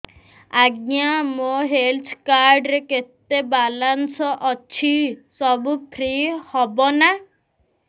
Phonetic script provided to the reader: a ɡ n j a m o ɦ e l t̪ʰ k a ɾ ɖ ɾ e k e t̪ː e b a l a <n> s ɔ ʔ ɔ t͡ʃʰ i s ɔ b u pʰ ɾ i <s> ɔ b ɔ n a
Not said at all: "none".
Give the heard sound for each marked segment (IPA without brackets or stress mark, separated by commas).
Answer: n, h